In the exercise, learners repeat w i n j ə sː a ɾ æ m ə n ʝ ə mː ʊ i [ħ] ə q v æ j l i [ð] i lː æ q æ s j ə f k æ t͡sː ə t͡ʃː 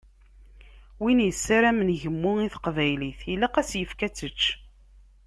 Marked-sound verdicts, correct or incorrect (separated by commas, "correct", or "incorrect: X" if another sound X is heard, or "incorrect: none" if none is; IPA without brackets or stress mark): incorrect: θ, incorrect: θ